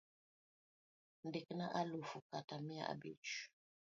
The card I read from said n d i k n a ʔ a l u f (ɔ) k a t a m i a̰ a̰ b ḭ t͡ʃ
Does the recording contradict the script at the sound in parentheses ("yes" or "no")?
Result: yes